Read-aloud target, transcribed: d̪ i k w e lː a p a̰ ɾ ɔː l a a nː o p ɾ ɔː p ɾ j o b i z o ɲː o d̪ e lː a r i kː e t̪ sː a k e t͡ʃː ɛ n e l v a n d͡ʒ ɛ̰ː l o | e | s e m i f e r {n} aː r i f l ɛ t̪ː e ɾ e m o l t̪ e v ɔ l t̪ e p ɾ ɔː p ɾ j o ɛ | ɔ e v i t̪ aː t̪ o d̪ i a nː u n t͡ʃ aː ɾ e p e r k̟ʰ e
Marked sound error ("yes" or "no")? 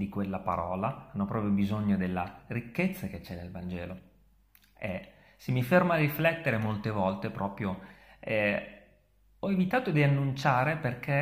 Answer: yes